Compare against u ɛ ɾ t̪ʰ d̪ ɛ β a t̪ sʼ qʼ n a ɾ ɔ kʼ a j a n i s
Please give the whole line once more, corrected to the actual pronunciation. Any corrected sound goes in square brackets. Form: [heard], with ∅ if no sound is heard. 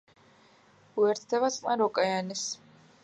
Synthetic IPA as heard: u ɛ ɾ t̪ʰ d̪ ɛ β a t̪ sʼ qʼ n a ɾ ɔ kʼ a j a n i s